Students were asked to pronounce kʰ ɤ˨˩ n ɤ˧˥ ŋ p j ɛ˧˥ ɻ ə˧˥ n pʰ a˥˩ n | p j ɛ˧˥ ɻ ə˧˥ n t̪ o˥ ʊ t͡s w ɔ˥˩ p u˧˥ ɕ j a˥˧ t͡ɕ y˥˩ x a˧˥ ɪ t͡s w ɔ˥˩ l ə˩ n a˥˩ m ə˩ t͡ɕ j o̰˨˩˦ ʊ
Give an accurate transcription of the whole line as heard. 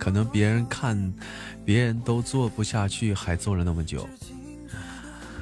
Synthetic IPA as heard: kʰ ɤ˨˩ n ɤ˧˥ ŋ p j ɛ˧˥ ɻ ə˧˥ n kʰ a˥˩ n | p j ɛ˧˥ ɻ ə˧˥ n t̪ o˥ ʊ t͡s w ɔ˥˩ p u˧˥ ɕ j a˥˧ t͡ɕʰ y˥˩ x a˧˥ ɪ t͡s w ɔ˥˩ l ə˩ n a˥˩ m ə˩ t͡ɕ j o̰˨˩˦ ʊ